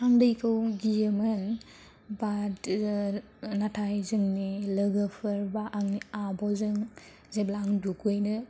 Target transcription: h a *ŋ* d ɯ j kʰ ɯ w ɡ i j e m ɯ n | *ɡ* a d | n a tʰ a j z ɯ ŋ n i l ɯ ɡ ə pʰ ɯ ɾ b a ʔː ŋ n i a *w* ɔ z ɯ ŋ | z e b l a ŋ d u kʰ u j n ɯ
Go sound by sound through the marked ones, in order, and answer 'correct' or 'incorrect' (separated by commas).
correct, incorrect, incorrect